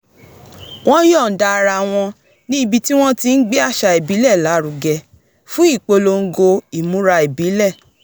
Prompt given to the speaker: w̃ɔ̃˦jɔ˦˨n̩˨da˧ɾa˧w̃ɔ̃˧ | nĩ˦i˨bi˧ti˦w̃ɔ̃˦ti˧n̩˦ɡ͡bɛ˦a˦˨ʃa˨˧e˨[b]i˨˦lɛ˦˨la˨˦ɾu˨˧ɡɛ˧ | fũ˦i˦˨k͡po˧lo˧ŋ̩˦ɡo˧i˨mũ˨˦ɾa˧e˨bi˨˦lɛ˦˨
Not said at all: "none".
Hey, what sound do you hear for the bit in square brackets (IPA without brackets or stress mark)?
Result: b